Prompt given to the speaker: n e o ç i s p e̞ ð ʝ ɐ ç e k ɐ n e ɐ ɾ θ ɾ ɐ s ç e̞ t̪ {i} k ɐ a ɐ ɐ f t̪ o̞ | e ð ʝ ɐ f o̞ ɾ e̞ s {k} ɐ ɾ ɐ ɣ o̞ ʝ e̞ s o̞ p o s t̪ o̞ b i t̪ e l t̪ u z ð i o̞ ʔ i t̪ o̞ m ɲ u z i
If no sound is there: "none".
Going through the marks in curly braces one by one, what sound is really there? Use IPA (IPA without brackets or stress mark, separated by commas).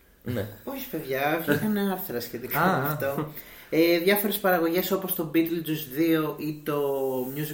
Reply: i, p